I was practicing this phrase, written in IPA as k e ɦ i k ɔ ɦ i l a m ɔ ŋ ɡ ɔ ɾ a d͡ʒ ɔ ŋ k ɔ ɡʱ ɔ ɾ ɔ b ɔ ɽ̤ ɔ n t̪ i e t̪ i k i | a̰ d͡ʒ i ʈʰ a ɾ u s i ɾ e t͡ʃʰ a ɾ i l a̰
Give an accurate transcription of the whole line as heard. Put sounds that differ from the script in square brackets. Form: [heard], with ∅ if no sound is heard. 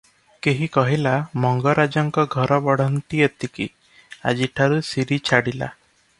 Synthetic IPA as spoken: k e ɦ i k ɔ ɦ i l a m ɔ ŋ ɡ ɔ ɾ a d͡ʒ ɔ ŋ k ɔ ɡʱ ɔ ɾ ɔ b ɔ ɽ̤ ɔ n t̪ i e t̪ i k i | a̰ d͡ʒ i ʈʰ a ɾ u s i ɾ [i] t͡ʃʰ a [ɽ] i l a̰